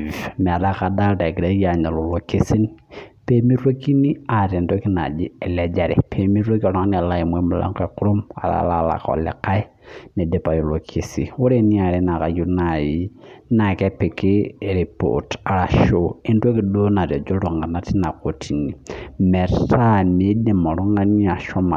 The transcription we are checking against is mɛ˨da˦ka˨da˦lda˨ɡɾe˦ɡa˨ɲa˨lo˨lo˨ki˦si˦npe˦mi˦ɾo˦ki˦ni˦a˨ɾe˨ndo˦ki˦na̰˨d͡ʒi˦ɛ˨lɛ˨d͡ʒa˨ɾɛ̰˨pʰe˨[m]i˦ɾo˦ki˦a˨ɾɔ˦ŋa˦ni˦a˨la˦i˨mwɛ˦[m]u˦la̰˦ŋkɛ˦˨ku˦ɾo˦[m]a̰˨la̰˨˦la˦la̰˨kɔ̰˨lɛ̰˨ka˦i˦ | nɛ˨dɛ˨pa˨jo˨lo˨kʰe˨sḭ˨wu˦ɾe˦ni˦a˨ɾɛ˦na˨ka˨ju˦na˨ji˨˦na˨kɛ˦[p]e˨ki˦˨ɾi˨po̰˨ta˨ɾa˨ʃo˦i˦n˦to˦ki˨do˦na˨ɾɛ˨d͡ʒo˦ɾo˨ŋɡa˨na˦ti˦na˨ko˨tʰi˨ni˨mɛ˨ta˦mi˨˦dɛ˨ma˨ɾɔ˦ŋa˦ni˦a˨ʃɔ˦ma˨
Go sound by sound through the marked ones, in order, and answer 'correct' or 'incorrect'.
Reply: correct, correct, correct, correct

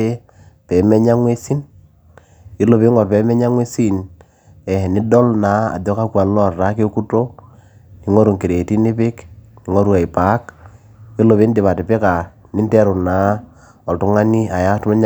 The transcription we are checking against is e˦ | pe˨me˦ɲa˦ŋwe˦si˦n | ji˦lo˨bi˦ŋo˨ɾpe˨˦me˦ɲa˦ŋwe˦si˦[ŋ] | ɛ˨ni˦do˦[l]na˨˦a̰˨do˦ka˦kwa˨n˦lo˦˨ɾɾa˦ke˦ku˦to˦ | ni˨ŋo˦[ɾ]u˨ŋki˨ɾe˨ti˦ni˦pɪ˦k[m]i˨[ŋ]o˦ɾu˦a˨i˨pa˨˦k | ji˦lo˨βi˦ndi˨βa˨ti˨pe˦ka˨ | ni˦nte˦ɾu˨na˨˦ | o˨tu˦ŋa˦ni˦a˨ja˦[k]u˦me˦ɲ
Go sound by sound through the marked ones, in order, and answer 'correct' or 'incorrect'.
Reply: incorrect: n, correct, correct, incorrect: n, correct, incorrect: t

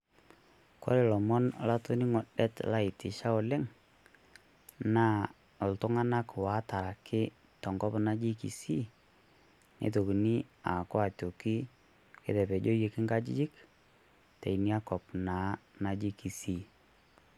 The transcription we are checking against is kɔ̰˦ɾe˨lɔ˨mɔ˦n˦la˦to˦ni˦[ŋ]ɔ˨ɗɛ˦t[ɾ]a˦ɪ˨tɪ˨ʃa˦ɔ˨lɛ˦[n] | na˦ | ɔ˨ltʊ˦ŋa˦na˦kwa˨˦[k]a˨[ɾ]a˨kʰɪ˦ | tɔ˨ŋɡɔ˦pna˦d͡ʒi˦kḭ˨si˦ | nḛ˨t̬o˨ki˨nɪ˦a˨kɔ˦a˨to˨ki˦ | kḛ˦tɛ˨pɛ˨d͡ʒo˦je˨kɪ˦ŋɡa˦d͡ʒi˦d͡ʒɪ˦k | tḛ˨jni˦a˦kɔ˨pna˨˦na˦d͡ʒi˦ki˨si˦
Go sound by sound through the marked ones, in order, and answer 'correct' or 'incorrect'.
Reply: correct, incorrect: l, incorrect: ŋ, incorrect: t, correct

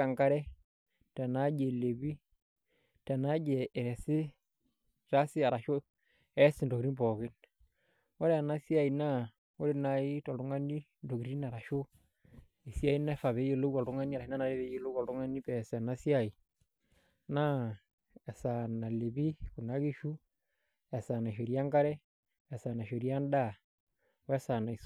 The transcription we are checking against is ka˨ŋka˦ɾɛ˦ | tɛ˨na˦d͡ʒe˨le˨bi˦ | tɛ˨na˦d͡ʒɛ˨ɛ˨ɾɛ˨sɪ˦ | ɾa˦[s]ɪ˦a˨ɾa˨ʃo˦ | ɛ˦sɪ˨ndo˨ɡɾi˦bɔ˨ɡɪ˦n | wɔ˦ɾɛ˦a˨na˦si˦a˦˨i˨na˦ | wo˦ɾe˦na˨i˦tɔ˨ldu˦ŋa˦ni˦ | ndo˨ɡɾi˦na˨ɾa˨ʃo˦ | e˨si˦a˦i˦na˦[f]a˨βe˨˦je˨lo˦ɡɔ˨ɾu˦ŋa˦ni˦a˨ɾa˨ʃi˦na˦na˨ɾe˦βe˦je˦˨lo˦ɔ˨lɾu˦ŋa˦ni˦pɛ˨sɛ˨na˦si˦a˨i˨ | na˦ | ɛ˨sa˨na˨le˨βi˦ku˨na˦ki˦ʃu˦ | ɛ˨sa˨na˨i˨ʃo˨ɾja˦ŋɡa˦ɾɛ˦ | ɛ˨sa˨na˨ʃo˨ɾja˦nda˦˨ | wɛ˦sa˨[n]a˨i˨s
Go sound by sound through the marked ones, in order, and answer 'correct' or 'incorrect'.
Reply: correct, correct, correct

